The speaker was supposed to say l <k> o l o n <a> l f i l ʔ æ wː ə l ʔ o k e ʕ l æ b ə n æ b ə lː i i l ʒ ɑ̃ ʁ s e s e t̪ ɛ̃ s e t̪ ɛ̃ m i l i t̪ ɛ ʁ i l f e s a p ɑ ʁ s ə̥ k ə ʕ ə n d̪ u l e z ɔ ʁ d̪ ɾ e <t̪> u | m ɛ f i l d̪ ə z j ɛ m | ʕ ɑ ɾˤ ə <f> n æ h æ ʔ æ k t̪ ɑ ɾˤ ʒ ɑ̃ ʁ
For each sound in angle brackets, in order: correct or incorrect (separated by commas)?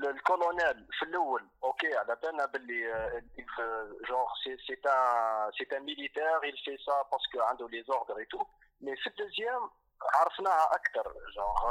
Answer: correct, incorrect, correct, correct